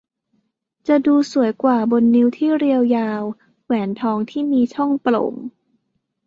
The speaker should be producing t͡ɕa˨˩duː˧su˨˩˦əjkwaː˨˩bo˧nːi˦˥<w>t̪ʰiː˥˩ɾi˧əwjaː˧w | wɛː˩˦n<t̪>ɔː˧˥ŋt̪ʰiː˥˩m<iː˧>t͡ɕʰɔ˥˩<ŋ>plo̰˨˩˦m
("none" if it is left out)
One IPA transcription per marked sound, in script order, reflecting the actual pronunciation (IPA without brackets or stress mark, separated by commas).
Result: w, t̪ʰ, iː˧, ŋ